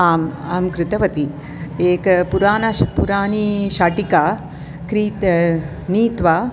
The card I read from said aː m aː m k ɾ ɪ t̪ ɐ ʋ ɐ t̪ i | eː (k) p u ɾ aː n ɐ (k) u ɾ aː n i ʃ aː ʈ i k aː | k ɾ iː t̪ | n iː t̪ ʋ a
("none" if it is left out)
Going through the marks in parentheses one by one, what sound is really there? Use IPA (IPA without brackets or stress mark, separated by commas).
k, p